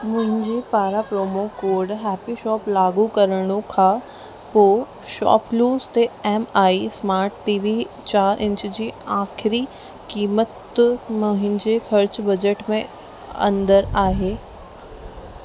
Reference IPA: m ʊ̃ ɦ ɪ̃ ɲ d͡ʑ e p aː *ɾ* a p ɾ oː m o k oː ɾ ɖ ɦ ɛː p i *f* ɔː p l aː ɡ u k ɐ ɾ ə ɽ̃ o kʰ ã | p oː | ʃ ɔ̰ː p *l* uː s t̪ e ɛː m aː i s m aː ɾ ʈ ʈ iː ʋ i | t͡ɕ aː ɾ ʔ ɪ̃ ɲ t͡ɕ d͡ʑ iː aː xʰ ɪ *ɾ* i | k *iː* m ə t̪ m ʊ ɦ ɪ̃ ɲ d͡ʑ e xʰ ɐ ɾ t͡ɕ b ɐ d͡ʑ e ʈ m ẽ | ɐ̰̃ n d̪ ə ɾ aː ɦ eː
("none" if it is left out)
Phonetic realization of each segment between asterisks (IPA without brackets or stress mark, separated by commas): ɾ, ʃ, l, ɾ, iː